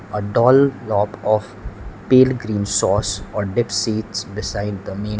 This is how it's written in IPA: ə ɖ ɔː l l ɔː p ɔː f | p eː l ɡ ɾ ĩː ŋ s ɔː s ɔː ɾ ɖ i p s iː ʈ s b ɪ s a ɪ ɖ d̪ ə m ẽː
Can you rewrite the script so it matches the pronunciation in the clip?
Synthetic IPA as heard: ə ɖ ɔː l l ɔː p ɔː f | p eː l ɡ ɾ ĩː n s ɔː s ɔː ɾ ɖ ɪ p s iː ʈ s b ɪ s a ɪ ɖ d̪ ə m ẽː